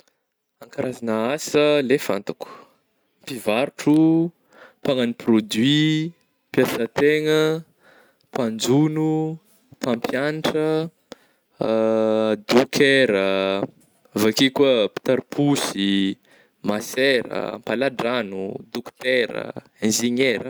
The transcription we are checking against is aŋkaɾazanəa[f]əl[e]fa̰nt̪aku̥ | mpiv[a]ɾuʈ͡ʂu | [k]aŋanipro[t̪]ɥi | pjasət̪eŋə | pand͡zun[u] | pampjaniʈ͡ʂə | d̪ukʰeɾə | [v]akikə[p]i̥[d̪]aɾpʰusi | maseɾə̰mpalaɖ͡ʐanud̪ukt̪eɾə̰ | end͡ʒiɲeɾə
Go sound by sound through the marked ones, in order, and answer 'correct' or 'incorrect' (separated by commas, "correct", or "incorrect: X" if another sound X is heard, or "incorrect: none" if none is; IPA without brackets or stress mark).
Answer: incorrect: s, correct, correct, incorrect: p, incorrect: d̪, correct, correct, correct, incorrect: t̪